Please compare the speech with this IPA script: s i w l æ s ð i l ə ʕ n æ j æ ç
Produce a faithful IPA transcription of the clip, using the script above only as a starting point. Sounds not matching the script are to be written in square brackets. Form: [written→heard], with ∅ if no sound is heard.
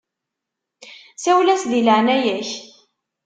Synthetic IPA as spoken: s [i→æ] w l æ s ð i l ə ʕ n æ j æ ç